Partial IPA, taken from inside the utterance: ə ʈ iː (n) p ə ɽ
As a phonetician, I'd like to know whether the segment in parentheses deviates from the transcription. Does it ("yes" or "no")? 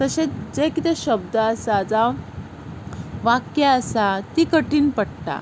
no